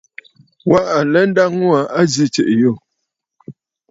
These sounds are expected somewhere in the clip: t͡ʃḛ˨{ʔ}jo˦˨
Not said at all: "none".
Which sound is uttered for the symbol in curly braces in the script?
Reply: ʔ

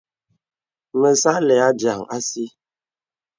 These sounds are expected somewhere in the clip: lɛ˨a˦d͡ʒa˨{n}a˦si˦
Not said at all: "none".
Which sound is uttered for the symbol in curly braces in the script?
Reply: ŋ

